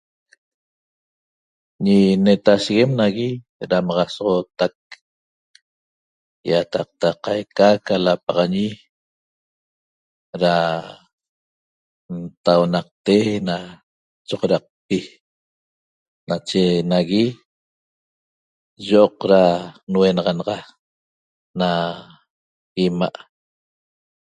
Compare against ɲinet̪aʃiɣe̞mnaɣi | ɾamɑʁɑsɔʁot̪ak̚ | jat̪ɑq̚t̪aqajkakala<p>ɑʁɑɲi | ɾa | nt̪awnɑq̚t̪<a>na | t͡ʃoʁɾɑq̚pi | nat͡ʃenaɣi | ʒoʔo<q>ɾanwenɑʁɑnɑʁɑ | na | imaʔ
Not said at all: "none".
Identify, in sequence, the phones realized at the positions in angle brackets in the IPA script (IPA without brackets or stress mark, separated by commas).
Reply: p, e, q